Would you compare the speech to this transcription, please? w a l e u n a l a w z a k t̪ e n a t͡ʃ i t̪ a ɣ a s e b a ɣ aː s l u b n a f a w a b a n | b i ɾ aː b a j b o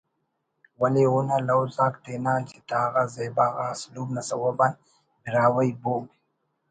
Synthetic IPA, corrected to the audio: w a l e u n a l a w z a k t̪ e n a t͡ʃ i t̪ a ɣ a z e b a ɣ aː s l u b n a s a w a b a n | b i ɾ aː w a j b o